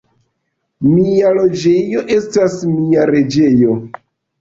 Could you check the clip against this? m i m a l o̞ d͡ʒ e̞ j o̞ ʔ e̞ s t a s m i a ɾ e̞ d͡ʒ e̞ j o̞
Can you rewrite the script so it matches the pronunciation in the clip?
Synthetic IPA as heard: m i a l o̞ d͡ʒ e̞ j o̞ ʔ e̞ s t a s m i a ɾ e̞ d͡ʒ e̞ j o̞